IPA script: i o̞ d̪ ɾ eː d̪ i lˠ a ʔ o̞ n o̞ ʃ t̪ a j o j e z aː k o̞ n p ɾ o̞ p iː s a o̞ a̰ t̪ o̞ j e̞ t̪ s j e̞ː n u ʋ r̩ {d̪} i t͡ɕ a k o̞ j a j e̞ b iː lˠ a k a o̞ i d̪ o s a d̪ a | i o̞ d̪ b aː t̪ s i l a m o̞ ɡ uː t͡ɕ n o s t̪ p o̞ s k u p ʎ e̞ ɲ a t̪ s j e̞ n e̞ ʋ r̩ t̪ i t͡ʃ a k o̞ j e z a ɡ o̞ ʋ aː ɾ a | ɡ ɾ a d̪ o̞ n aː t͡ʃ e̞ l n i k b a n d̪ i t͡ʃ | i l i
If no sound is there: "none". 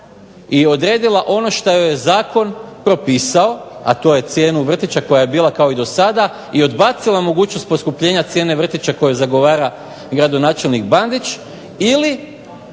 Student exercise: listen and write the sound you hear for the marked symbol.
t̪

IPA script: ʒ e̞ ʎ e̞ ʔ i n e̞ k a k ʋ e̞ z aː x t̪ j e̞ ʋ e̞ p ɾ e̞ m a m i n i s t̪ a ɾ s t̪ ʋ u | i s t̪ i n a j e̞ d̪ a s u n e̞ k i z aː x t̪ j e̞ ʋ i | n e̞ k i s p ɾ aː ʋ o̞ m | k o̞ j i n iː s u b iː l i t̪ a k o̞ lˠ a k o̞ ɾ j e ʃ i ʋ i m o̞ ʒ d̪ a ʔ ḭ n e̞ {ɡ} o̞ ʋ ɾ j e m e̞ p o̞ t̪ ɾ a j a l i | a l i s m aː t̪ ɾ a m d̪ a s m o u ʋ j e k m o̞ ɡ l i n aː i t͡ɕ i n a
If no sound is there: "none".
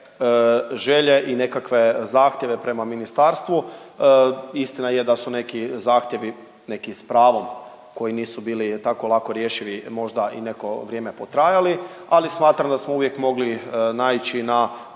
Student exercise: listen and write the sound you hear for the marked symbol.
k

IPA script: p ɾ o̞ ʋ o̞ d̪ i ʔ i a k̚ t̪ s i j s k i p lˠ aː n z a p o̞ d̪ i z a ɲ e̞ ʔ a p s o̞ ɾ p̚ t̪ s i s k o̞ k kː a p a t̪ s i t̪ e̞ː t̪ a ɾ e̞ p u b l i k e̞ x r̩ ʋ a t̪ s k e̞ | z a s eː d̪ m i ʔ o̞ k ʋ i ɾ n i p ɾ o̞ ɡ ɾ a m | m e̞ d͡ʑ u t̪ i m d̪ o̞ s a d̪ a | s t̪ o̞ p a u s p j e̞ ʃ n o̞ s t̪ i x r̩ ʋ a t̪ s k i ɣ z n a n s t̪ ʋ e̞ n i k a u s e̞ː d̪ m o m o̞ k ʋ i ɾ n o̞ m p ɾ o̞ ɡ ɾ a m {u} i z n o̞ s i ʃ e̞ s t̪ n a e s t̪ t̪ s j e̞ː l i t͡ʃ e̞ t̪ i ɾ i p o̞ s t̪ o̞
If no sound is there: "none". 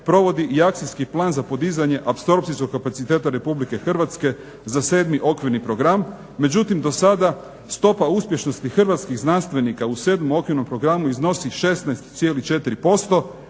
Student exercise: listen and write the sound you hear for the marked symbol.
u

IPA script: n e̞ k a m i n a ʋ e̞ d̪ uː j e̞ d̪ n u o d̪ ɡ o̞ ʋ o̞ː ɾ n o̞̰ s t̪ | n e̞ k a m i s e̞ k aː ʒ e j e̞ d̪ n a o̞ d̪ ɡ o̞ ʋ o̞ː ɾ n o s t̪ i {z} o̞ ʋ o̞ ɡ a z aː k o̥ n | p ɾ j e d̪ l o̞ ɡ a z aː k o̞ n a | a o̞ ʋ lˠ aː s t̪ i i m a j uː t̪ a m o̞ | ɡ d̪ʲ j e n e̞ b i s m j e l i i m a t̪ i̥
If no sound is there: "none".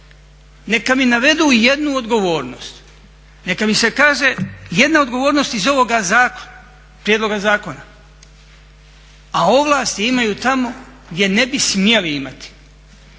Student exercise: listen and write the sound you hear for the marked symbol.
z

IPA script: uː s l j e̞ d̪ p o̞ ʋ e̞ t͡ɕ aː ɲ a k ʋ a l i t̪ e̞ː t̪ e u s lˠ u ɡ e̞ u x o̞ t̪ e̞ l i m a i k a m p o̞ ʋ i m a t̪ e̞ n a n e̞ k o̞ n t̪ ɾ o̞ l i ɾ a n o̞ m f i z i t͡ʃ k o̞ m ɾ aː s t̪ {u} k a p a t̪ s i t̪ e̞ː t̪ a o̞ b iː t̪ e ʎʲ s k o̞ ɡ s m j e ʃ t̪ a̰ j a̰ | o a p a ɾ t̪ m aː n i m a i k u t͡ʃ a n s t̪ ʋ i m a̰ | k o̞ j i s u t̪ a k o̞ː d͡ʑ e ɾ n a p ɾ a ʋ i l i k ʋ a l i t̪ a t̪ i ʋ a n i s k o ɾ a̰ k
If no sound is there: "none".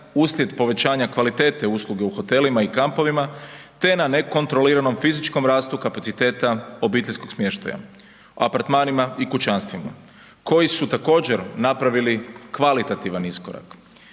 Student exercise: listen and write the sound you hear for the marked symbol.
u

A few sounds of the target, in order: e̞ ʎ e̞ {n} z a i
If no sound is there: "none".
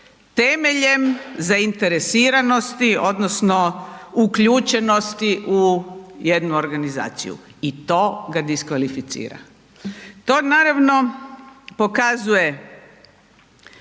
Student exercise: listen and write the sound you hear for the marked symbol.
m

